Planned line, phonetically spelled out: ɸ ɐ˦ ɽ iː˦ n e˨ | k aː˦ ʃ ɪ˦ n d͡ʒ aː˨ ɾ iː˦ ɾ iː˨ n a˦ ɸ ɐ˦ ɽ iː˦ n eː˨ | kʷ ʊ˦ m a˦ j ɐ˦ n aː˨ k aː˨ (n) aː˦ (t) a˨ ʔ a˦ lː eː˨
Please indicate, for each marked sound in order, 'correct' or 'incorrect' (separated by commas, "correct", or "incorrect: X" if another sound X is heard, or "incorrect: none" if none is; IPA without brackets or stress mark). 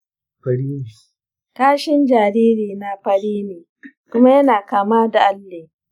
incorrect: m, incorrect: d